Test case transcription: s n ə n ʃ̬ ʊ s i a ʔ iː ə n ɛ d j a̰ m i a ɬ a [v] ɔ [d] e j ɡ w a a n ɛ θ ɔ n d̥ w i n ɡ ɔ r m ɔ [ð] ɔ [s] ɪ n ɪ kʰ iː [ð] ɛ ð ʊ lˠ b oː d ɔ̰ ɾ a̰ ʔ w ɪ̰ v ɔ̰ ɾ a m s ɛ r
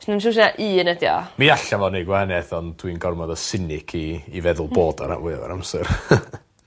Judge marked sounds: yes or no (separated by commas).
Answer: yes, no, yes, yes, no